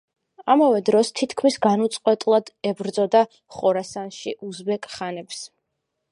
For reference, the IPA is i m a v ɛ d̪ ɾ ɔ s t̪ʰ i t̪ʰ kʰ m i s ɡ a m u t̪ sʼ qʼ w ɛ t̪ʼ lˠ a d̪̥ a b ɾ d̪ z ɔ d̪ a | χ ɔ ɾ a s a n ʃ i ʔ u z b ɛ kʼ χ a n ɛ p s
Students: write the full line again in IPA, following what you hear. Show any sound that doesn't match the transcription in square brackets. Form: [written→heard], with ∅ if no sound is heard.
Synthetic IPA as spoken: [i→a] m a v ɛ d̪ ɾ ɔ s t̪ʰ i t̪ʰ kʰ m i s ɡ a [m→n] u t̪ sʼ qʼ w ɛ t̪ʼ lˠ a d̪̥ [a→ɛ] b ɾ d̪ z ɔ d̪ a | χ ɔ ɾ a s a n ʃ i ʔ u z b ɛ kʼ χ a n ɛ p s